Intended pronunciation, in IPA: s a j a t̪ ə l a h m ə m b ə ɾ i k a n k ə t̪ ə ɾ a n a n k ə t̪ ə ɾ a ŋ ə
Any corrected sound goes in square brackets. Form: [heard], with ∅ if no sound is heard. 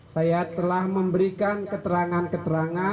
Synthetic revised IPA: s a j a t̪ ə l a h m ə m b ə ɾ i k a n k ə t̪ ə ɾ a [ŋ] a n k ə t̪ ə ɾ a ŋ [a]